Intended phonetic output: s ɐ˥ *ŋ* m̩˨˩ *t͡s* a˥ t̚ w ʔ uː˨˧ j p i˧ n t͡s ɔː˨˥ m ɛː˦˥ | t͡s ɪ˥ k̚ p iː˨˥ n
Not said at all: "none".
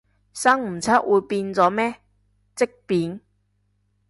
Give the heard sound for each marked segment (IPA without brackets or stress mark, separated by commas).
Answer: ŋ, t͡sʰ